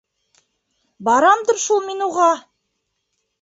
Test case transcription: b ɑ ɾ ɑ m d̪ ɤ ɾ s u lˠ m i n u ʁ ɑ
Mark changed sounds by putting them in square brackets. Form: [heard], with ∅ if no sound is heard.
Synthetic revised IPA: b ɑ ɾ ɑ m d̪ ɤ ɾ [ʃ] u lˠ m i n u ʁ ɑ